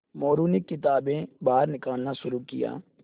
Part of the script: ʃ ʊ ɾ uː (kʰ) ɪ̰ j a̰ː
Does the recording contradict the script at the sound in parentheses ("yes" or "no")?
yes